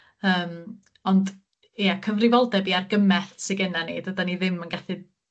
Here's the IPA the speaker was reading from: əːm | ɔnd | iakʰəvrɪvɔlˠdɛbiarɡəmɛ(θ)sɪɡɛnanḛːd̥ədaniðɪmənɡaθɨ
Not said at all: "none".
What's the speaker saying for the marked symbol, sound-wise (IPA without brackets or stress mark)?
θ